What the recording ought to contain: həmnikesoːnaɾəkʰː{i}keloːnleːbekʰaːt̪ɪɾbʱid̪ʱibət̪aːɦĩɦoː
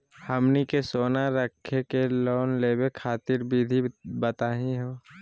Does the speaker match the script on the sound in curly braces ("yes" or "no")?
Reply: no